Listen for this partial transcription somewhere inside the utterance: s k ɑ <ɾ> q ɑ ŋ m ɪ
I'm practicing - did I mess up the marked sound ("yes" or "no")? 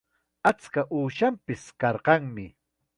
no